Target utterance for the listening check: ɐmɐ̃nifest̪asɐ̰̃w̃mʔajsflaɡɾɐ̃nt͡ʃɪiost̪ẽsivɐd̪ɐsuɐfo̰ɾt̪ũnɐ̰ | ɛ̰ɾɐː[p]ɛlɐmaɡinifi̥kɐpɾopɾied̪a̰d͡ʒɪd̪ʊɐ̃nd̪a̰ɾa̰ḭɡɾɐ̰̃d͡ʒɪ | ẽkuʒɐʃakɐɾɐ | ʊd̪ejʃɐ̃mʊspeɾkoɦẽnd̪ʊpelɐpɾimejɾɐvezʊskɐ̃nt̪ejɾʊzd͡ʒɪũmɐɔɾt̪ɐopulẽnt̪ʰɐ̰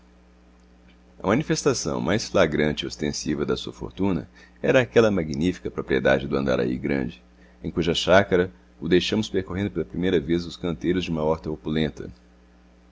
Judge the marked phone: incorrect: k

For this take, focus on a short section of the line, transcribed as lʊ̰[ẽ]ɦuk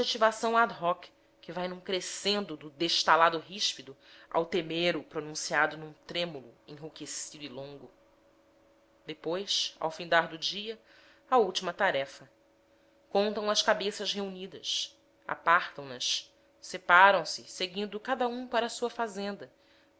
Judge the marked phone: correct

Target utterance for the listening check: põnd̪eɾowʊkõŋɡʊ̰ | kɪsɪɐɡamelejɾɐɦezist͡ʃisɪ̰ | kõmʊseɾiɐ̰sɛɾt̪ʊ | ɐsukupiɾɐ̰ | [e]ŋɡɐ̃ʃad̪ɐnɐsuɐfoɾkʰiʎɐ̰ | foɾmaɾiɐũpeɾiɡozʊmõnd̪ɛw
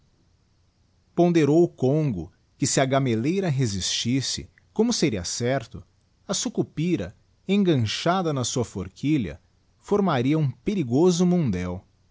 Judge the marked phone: incorrect: ẽ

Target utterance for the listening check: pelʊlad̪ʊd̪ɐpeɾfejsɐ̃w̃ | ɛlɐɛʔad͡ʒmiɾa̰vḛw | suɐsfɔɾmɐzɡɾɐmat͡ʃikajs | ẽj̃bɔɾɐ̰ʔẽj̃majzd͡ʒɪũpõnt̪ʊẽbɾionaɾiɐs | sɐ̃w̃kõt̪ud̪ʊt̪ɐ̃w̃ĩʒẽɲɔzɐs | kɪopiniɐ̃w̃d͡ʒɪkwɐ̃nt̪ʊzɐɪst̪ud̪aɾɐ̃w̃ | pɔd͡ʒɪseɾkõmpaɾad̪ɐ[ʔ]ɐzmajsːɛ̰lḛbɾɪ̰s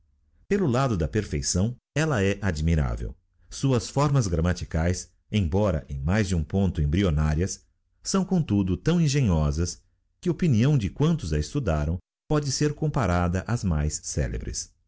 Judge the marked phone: correct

